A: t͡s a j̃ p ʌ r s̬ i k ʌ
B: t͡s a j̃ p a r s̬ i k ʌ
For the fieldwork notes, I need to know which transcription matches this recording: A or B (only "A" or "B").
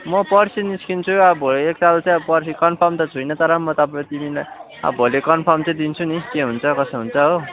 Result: A